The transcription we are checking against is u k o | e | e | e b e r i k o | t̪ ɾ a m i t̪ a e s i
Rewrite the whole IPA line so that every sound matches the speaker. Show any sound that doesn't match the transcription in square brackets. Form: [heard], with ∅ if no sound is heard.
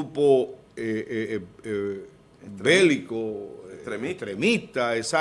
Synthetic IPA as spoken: u [p] o | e | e | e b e [l] i k o | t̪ ɾ [e] m i t̪ a e s [a]